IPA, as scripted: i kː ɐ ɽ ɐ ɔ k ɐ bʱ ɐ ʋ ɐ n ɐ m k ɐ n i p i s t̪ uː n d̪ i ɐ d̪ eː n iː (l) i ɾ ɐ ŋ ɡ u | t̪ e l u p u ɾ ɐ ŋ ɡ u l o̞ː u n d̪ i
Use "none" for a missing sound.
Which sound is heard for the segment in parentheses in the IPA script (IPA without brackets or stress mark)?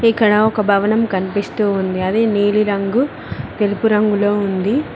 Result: l